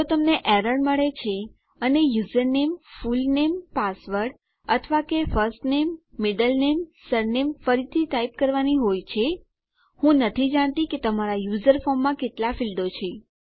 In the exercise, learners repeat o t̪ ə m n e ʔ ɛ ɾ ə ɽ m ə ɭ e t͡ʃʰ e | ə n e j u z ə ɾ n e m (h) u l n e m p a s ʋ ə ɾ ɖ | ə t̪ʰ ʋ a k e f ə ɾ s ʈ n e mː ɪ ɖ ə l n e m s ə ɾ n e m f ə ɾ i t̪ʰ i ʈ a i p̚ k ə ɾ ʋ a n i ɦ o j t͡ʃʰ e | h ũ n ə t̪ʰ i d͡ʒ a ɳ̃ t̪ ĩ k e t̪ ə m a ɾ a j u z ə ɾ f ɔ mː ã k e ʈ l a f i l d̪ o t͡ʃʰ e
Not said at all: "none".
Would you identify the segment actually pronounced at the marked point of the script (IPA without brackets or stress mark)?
f